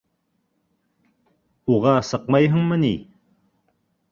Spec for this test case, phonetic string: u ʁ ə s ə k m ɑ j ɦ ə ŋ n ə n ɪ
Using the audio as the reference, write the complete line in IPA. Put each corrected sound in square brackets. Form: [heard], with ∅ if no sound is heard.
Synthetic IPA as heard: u ʁ [ɑ] s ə [q] m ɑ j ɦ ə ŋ [m] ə n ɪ